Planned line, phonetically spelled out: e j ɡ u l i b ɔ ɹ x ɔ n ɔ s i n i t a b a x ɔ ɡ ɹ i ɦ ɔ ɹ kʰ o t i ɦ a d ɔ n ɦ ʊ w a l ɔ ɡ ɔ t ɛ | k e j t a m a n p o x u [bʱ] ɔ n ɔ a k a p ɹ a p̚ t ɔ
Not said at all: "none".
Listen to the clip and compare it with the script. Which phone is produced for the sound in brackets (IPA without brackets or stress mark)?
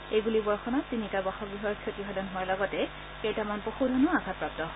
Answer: dʱ